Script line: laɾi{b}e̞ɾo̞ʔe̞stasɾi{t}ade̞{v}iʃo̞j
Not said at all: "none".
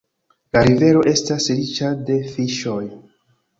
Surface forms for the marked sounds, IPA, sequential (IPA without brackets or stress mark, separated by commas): v, t͡ʃ, f